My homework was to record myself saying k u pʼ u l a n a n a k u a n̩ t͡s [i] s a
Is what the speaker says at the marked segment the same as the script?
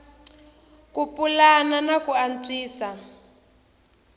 no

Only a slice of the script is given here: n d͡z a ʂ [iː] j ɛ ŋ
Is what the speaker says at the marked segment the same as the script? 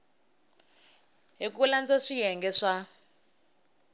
no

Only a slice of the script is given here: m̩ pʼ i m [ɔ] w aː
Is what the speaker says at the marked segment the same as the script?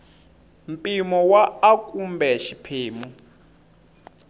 yes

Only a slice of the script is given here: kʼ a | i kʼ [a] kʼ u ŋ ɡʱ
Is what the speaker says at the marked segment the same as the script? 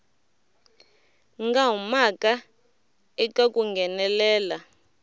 yes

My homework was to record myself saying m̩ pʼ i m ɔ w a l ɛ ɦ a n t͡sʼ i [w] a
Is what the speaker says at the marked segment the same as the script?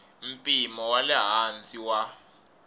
yes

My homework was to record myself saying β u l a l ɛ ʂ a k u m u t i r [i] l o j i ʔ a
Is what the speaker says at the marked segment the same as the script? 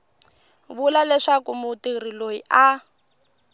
yes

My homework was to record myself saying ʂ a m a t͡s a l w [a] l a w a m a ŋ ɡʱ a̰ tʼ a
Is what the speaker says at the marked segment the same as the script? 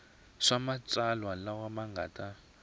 yes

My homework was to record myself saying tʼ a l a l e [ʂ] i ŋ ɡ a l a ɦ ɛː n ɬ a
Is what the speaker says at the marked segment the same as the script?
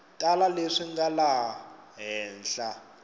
yes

